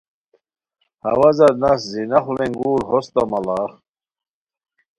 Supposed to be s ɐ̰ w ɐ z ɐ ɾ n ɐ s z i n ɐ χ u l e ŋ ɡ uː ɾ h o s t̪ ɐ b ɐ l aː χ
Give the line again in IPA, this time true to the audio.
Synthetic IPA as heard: h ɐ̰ w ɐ z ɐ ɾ n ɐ s z i n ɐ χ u l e ŋ ɡ uː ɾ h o s t̪ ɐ m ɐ l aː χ